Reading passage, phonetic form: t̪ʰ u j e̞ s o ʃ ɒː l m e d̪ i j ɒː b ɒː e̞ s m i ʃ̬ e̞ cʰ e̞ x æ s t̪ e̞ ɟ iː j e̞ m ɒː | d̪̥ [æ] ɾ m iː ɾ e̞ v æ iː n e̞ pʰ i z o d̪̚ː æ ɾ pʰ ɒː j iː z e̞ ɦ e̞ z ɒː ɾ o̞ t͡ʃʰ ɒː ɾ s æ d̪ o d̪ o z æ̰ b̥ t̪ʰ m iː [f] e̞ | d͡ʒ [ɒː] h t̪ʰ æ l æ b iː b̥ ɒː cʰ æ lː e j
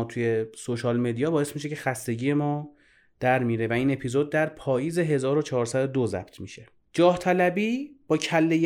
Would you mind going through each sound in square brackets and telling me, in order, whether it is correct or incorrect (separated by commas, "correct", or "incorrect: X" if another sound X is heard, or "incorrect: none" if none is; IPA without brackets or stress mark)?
correct, incorrect: ʃ, correct